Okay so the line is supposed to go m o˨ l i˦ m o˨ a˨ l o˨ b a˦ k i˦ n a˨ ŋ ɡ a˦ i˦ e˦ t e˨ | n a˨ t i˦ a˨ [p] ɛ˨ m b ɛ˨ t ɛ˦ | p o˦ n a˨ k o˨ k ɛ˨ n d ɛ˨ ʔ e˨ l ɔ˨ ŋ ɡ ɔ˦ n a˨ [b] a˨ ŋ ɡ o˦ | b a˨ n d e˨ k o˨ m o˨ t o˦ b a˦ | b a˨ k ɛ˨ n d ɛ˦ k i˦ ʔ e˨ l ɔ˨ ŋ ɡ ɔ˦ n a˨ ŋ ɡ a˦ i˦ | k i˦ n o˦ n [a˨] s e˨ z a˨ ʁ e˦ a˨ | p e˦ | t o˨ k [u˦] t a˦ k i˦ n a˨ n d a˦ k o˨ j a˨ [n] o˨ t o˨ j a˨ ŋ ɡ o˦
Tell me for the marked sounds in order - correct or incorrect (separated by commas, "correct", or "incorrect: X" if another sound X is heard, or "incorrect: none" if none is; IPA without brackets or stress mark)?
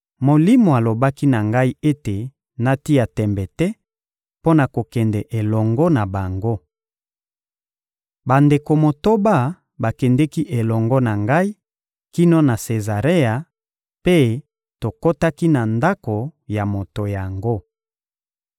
incorrect: t, correct, correct, incorrect: o˦, incorrect: m